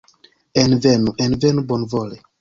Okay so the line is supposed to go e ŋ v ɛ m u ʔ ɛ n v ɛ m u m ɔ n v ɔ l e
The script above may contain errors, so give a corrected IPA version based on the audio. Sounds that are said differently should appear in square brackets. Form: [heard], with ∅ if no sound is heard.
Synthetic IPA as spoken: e [n] v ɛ [n] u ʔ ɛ n v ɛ [n] u [b] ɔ n v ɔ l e